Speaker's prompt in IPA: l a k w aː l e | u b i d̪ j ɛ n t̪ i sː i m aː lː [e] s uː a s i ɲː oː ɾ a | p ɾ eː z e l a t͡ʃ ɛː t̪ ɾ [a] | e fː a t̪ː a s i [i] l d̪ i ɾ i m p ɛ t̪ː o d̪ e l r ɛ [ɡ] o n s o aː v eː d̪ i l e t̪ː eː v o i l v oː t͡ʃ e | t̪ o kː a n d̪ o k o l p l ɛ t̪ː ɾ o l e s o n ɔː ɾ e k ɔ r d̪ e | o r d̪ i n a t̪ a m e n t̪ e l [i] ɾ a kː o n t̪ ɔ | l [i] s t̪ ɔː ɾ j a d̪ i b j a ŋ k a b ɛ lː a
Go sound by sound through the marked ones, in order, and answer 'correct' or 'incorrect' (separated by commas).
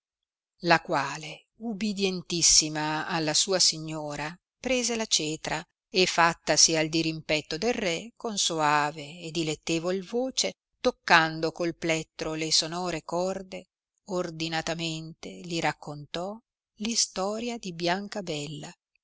incorrect, correct, incorrect, incorrect, correct, correct